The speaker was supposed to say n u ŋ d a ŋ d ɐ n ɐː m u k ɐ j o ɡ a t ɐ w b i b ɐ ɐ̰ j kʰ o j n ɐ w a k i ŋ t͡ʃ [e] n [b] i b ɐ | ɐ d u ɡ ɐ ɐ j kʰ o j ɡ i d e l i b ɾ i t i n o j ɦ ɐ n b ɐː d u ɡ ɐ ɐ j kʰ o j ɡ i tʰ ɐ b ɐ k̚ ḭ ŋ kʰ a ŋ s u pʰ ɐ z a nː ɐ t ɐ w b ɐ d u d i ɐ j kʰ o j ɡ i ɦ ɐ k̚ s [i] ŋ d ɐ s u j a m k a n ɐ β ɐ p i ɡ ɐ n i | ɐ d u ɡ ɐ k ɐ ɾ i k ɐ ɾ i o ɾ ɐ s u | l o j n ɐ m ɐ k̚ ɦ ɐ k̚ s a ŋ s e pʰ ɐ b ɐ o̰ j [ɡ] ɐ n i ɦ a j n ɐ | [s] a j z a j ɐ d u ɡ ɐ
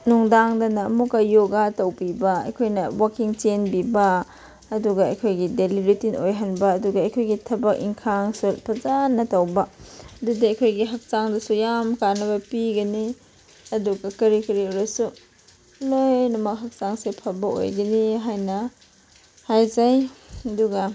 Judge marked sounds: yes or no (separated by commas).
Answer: yes, yes, no, yes, no